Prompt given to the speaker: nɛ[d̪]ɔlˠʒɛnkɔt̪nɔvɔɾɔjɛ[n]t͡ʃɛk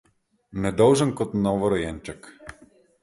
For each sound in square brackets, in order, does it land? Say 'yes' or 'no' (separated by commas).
yes, yes